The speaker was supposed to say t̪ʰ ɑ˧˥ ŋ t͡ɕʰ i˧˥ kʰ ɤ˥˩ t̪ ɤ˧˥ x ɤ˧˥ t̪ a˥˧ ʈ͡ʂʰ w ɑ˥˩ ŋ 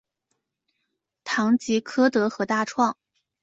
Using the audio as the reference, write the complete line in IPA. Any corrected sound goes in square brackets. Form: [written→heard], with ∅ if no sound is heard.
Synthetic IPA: t̪ʰ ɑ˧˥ ŋ [t͡ɕʰ→t͡ɕ] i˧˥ kʰ [ɤ˥˩→ɤ˥] t̪ ɤ˧˥ x ɤ˧˥ t̪ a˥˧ ʈ͡ʂʰ w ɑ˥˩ ŋ

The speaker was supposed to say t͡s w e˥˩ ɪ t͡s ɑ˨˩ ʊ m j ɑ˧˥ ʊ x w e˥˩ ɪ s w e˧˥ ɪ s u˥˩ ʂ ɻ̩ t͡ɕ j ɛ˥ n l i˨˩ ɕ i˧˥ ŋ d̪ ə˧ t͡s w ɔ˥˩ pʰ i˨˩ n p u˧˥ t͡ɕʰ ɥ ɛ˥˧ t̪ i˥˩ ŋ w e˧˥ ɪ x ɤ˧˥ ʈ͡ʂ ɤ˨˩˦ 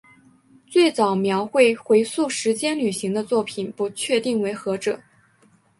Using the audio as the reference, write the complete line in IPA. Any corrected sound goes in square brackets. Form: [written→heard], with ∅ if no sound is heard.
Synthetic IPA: t͡s w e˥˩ ɪ t͡s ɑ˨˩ ʊ m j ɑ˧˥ ʊ x w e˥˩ ɪ [s→x] w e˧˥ ɪ s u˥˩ ʂ ɻ̩ t͡ɕ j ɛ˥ n l [i˨˩→y˨˩] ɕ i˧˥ ŋ d̪ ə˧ t͡s w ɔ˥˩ pʰ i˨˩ n p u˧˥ t͡ɕʰ ɥ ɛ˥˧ t̪ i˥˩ ŋ w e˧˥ ɪ x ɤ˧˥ ʈ͡ʂ ɤ˨˩˦

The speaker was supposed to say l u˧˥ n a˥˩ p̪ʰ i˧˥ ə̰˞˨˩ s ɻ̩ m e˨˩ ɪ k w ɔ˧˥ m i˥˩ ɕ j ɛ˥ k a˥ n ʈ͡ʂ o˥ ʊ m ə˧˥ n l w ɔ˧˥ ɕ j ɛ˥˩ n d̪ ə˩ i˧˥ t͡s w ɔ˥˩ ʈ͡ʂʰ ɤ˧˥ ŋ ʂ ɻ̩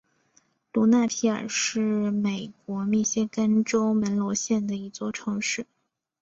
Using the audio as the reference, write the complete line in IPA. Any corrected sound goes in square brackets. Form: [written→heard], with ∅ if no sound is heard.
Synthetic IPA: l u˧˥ n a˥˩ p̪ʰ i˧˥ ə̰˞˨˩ [s→ʂ] ɻ̩ m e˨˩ ɪ k w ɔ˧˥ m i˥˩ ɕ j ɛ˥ k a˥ n ʈ͡ʂ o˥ ʊ m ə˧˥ n l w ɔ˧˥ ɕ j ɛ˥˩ n d̪ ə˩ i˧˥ t͡s w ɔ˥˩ ʈ͡ʂʰ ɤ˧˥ ŋ ʂ ɻ̩

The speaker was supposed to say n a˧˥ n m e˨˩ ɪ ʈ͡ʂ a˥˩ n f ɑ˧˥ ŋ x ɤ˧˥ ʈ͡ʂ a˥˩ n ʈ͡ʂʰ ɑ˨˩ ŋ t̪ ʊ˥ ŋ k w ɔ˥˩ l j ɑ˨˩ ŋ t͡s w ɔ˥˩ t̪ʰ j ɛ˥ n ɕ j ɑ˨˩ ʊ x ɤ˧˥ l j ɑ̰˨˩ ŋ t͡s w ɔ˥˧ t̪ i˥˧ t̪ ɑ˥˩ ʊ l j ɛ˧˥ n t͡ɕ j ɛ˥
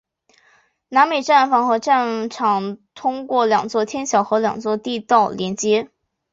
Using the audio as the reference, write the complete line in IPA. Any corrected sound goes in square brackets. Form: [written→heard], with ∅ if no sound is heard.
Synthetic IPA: n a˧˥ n m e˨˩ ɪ ʈ͡ʂ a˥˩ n f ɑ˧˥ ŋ x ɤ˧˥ ʈ͡ʂ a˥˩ n ʈ͡ʂʰ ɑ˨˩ ŋ [t̪→t̪ʰ] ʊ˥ ŋ k w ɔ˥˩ l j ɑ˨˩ ŋ t͡s w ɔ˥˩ t̪ʰ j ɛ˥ n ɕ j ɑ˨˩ ʊ x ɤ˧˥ l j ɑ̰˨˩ ŋ t͡s w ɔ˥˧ t̪ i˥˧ t̪ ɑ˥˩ ʊ l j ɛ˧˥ n t͡ɕ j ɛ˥

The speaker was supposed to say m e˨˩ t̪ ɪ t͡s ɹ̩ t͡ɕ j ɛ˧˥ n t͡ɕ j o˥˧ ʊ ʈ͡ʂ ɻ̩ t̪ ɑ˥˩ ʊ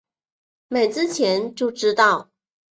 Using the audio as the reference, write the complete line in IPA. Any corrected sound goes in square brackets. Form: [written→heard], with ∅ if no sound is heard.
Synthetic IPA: m e˨˩ [t̪→∅] ɪ t͡s ɹ̩ [t͡ɕ→t͡ɕʰ] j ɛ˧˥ n t͡ɕ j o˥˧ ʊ ʈ͡ʂ ɻ̩ t̪ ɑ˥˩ ʊ

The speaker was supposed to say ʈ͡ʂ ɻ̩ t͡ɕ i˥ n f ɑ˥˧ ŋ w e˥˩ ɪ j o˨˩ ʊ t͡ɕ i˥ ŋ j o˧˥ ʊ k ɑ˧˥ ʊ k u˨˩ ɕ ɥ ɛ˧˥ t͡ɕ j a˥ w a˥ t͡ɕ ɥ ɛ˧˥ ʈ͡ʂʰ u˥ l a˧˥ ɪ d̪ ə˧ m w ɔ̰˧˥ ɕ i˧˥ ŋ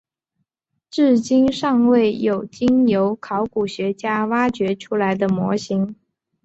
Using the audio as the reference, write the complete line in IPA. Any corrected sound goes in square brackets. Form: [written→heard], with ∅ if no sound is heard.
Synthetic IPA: ʈ͡ʂ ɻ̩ t͡ɕ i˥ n [f→ʂ] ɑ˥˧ ŋ w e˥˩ ɪ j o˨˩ ʊ t͡ɕ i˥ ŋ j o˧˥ ʊ [k→kʰ] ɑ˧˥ ʊ k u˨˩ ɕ ɥ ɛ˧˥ t͡ɕ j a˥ w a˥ t͡ɕ ɥ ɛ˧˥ ʈ͡ʂʰ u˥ l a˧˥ ɪ d̪ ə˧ m w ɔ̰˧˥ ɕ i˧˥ ŋ

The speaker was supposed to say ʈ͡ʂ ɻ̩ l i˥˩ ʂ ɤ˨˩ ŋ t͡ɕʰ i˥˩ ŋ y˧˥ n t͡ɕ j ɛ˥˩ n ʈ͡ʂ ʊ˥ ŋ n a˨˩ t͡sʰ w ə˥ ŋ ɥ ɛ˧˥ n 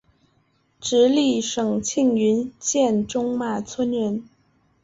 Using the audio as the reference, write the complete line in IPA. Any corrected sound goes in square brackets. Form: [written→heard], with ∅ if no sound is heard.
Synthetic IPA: ʈ͡ʂ ɻ̩ l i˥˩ ʂ ɤ˨˩ ŋ t͡ɕʰ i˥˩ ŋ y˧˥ n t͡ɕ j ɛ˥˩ n ʈ͡ʂ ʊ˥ ŋ [n→m] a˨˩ t͡sʰ w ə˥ [ŋ→n] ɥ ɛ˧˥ n

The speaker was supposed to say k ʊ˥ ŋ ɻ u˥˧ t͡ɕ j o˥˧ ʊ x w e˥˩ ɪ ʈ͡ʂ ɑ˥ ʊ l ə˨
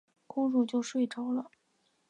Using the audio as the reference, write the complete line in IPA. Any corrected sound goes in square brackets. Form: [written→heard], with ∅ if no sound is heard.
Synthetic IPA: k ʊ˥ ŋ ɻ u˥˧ t͡ɕ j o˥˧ ʊ [x→ʂ] w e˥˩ ɪ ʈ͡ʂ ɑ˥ ʊ l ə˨

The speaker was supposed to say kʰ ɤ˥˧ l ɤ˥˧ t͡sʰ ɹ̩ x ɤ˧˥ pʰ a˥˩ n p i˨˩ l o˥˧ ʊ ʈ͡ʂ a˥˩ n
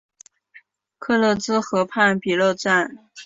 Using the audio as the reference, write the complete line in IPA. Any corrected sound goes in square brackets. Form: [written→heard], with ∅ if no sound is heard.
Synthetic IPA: kʰ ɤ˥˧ l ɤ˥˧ [t͡sʰ→t͡s] ɹ̩ x ɤ˧˥ pʰ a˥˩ n p i˨˩ l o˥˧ ʊ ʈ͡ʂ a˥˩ n

